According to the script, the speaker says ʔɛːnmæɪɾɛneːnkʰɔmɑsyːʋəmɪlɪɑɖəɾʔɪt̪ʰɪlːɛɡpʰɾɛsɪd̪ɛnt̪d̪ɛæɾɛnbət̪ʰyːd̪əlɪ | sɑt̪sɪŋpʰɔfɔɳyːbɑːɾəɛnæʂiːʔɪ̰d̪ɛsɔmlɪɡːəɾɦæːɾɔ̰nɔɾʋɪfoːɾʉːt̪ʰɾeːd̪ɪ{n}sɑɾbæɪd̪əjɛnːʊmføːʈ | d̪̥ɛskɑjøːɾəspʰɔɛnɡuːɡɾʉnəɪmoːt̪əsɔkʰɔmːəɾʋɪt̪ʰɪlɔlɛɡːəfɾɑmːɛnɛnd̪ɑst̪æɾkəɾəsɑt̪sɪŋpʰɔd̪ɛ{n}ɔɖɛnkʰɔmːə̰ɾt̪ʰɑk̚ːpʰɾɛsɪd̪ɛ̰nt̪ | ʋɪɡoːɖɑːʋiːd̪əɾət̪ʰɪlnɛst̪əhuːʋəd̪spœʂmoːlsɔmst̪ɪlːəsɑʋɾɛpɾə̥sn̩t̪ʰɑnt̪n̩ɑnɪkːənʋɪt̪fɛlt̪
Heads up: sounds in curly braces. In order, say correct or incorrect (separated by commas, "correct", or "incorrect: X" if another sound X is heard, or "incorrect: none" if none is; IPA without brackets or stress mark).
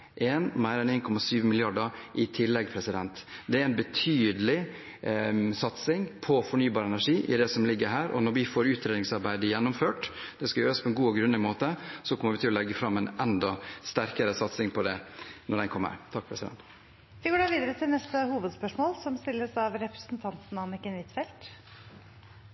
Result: incorrect: ŋ, correct